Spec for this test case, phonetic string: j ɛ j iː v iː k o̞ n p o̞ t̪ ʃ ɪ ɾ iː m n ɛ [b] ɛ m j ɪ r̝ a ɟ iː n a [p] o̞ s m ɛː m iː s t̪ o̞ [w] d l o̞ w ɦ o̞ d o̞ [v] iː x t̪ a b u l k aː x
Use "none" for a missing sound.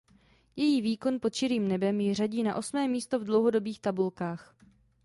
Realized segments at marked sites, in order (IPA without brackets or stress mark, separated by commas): b, ʔ, v, b